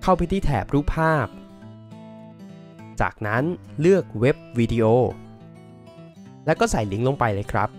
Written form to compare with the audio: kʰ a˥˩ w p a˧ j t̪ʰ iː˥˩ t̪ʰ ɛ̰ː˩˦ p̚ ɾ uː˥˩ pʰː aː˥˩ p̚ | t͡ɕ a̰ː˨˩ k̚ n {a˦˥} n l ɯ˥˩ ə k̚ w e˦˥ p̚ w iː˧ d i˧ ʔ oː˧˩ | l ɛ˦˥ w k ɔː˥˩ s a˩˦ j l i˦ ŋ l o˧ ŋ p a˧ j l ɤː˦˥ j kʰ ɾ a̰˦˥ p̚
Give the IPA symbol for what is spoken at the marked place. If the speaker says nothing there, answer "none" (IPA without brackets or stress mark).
a˦˥